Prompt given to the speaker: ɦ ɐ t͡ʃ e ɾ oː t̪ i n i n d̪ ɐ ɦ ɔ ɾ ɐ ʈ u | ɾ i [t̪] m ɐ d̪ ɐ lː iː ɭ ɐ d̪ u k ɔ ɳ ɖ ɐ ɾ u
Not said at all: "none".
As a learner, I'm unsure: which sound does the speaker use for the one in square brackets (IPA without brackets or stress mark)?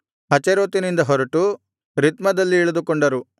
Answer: t̪